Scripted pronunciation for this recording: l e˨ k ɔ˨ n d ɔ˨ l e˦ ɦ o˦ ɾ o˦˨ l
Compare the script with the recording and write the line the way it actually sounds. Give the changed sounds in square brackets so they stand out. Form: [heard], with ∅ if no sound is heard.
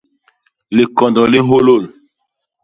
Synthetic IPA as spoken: l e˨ k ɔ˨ n d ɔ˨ l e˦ ɦ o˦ [l] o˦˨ l